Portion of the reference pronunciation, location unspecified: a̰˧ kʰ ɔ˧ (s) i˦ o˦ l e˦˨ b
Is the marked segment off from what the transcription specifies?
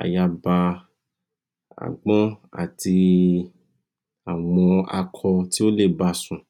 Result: yes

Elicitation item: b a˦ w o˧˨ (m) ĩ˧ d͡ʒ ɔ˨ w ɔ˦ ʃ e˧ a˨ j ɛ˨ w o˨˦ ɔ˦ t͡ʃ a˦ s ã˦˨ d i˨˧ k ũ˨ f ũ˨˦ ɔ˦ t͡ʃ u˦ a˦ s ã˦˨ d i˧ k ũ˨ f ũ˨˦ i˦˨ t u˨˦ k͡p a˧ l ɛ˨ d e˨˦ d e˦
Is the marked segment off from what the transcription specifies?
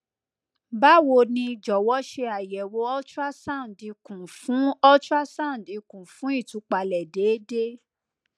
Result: yes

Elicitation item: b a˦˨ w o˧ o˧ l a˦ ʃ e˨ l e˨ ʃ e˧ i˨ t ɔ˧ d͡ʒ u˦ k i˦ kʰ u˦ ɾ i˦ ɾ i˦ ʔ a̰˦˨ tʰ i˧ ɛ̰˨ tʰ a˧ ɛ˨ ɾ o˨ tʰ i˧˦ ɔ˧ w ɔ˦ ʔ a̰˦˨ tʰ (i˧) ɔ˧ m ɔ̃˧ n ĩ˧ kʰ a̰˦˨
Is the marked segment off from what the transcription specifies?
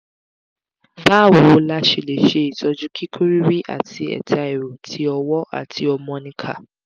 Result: no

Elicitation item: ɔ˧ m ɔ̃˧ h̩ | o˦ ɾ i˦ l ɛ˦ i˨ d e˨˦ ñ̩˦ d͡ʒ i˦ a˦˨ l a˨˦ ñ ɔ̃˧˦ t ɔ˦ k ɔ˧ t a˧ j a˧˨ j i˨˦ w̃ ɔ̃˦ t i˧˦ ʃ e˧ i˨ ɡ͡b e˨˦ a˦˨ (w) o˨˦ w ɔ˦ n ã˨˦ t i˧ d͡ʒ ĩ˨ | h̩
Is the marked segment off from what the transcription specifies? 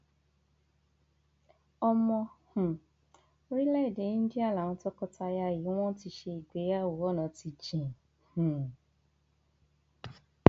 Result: no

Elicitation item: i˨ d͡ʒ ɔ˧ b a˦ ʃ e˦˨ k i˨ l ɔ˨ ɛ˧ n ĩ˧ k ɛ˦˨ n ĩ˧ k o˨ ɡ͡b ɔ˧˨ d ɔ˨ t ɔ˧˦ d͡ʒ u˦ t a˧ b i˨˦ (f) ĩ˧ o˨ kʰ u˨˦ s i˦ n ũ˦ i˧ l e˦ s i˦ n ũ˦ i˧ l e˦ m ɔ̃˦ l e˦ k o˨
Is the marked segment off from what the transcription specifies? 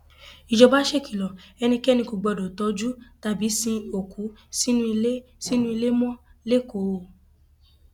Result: yes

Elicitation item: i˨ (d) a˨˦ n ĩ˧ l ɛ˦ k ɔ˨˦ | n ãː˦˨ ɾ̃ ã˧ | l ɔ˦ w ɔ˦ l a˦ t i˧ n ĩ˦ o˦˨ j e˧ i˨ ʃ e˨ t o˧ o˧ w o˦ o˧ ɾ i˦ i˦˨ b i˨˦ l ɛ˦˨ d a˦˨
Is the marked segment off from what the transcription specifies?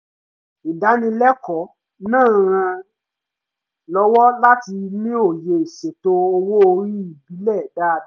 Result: no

